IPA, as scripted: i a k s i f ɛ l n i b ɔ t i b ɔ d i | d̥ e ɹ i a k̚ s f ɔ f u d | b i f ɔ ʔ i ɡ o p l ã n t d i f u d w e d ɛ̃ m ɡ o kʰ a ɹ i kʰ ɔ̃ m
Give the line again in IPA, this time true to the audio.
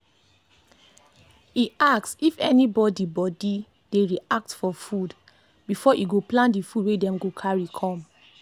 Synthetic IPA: i a k s i f ɛ n i b ɔ d i b ɔ d i | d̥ e ɹ i a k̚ t f ɔ f u d | b i f ɔ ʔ i ɡ o p l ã n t d i f u d w e d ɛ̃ m ɡ o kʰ a ɹ i kʰ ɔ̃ m